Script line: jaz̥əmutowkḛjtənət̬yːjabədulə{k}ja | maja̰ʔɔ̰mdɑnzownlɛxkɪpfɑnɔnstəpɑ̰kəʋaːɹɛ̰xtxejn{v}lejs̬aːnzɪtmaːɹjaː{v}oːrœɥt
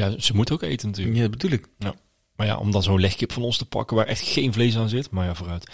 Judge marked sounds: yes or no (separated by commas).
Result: yes, yes, yes